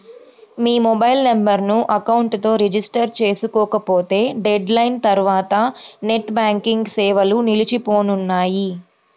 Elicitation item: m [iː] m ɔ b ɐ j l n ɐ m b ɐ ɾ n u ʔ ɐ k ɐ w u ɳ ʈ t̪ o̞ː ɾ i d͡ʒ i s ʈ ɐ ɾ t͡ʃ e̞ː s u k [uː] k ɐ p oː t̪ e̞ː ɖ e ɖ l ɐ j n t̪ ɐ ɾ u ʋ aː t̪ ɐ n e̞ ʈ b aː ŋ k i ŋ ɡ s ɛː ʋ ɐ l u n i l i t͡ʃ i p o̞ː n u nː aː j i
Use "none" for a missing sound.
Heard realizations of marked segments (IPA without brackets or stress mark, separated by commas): iː, ɔː